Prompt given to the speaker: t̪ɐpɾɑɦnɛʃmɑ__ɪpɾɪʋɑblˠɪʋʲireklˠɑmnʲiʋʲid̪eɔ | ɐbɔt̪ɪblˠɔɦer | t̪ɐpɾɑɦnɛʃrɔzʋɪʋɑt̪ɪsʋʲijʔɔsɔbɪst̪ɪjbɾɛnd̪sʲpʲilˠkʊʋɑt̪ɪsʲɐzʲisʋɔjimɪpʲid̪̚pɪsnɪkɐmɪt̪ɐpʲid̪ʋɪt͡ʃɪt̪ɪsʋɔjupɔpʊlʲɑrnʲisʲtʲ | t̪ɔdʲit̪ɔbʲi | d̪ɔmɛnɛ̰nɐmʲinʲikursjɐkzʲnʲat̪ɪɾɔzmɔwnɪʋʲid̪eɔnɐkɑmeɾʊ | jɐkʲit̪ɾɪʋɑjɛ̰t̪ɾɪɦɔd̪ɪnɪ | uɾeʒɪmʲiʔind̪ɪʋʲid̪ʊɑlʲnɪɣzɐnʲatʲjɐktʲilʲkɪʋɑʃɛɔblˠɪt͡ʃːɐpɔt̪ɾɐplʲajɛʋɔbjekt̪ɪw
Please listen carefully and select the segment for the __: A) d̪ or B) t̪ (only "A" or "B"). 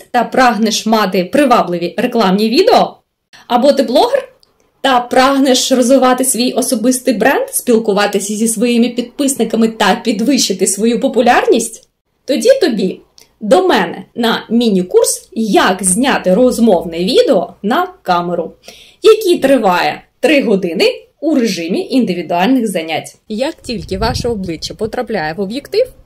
B